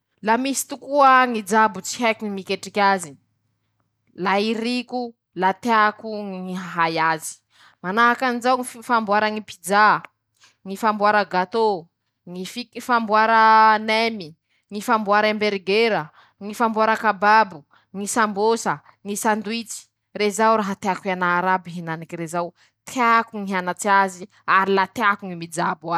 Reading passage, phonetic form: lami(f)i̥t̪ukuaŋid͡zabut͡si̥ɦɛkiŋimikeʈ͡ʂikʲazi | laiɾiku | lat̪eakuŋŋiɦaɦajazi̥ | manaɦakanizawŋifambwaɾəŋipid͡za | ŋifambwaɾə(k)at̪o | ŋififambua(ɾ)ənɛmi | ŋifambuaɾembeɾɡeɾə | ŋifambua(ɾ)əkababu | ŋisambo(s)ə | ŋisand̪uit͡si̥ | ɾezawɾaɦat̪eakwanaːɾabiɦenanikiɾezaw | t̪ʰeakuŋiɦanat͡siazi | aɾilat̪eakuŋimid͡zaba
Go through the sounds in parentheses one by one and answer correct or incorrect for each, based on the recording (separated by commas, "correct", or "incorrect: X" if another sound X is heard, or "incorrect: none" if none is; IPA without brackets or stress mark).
incorrect: s, incorrect: ɡ, correct, correct, correct